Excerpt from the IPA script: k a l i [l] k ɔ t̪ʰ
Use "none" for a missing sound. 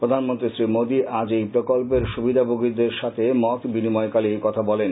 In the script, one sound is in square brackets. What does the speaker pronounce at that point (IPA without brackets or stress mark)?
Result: none